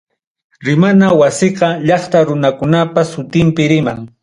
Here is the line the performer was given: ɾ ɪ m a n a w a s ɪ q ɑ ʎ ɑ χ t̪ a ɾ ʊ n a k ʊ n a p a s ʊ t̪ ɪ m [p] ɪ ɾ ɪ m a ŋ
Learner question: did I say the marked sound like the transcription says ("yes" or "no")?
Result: yes